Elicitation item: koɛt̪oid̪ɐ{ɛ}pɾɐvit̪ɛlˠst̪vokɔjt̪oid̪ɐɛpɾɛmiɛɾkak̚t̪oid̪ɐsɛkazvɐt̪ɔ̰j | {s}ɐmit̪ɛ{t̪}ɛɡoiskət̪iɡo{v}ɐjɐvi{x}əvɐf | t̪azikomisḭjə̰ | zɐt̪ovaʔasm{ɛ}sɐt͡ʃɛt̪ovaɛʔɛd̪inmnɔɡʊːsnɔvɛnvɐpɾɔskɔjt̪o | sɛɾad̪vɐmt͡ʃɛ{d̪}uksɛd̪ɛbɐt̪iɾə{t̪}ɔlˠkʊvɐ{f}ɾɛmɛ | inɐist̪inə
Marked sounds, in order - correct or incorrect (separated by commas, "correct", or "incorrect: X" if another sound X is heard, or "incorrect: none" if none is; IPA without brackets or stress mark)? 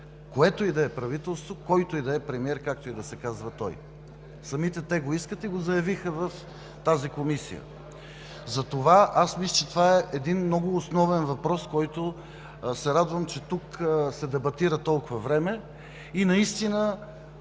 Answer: correct, correct, correct, incorrect: z, correct, incorrect: i, incorrect: t̪, correct, incorrect: v